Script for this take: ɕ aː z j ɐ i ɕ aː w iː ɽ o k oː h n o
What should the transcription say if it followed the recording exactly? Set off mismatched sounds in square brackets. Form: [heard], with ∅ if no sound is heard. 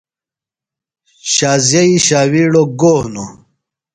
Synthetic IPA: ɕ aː z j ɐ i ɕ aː w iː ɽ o [ɡ] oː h n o